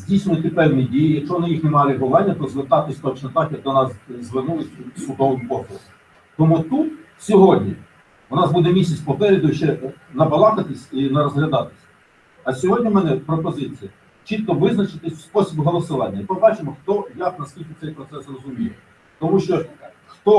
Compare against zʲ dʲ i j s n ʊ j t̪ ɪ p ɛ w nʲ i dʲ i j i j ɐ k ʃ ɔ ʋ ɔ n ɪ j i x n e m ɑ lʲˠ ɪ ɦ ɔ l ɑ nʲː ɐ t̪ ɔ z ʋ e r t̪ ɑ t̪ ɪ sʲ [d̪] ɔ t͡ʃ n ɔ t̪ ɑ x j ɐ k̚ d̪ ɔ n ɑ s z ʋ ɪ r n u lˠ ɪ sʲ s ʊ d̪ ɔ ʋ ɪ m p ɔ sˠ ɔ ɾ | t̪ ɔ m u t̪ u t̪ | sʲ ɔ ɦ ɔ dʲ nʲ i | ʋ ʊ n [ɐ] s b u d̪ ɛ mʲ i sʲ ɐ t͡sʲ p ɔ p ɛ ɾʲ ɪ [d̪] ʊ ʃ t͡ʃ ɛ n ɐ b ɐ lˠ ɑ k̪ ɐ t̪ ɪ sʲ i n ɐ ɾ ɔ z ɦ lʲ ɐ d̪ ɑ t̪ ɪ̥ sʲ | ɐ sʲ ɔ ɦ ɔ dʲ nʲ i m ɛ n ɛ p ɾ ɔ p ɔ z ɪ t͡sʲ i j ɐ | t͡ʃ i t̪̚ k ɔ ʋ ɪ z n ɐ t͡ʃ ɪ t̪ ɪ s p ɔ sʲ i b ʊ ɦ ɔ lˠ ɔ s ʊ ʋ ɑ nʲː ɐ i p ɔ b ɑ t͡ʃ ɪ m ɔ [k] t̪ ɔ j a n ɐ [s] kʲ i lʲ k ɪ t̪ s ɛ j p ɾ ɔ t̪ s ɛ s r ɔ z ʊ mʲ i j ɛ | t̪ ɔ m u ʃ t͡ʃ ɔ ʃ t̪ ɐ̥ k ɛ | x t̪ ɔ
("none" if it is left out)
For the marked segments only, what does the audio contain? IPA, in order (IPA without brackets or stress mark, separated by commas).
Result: t̪, ɑ, d̪, x, s